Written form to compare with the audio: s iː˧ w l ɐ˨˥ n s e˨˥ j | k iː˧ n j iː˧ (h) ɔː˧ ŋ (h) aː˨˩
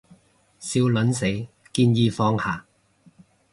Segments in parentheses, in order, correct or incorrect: incorrect: f, correct

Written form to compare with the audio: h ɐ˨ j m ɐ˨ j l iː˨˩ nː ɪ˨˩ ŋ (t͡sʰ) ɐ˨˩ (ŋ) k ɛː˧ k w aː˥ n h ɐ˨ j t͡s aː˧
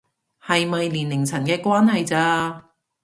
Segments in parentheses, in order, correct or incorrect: correct, incorrect: n

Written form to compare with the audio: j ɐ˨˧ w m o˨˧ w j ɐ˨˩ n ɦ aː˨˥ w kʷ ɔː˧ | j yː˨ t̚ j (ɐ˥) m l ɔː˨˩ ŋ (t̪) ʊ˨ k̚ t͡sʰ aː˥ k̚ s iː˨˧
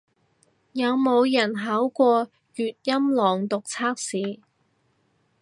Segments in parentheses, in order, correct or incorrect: correct, correct

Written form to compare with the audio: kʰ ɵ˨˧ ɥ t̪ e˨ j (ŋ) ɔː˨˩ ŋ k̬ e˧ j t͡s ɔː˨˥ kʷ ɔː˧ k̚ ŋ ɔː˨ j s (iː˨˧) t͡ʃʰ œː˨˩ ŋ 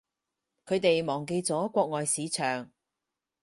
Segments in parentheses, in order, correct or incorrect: incorrect: m, correct

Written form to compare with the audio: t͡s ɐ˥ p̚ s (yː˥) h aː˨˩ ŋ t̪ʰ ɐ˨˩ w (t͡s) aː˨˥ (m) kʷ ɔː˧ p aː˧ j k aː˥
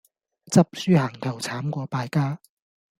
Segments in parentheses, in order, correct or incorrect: correct, incorrect: t͡sʰ, correct

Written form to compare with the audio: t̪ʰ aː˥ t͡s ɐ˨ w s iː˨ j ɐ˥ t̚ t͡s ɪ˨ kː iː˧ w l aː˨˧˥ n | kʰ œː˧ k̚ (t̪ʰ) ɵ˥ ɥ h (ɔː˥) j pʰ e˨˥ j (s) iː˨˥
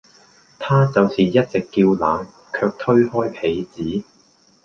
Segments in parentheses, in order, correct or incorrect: correct, correct, incorrect: t͡s

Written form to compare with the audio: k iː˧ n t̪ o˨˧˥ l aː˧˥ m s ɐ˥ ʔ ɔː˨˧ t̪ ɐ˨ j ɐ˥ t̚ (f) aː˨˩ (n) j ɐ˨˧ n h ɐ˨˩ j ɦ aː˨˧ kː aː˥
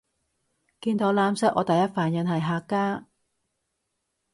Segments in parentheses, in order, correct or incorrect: correct, correct

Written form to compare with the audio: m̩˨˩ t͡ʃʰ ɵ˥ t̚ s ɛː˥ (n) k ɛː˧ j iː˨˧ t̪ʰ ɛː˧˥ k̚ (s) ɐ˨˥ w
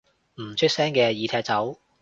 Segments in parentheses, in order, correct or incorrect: incorrect: ŋ, incorrect: t͡s

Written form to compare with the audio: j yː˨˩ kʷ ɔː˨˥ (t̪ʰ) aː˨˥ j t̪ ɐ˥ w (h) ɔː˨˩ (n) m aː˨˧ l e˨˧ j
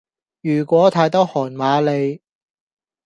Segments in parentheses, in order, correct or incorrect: correct, correct, correct

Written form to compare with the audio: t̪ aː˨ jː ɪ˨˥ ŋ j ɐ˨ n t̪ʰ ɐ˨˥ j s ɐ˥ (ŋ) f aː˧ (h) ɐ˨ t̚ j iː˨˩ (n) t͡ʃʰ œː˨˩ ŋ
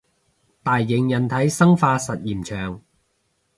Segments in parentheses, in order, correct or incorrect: correct, incorrect: s, incorrect: m

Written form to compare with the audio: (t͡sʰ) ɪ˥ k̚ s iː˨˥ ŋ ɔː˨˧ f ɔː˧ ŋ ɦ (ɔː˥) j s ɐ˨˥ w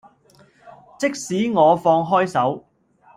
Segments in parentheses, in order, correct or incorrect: incorrect: t͡s, correct

